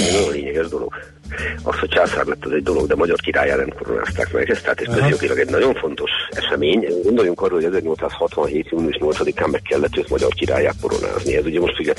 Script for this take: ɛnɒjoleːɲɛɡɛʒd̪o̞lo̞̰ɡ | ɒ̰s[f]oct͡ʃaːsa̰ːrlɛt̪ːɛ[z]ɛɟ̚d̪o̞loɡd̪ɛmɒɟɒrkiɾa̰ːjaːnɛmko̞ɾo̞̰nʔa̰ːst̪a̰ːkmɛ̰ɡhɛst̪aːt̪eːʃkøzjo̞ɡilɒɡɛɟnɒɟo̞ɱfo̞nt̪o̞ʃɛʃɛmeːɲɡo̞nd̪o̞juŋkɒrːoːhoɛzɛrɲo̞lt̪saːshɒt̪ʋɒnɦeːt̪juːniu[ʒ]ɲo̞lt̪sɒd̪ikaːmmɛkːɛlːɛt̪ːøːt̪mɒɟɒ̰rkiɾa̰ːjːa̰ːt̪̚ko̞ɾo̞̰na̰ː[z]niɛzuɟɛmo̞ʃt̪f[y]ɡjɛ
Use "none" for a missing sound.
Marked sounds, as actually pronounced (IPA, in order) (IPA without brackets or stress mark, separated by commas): h, z, ʃ, z, y